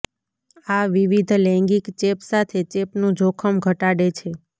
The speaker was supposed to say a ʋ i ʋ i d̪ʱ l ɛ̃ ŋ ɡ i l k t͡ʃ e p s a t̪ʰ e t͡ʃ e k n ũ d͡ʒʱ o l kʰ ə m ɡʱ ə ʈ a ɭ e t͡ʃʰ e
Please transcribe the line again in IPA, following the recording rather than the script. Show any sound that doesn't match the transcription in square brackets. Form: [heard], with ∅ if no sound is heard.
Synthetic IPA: a ʋ i ʋ i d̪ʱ l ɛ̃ ŋ ɡ i [∅] k t͡ʃ e p s a t̪ʰ e t͡ʃ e [p] n ũ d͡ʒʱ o [∅] kʰ ə m ɡʱ ə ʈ a [ɽ] e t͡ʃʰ e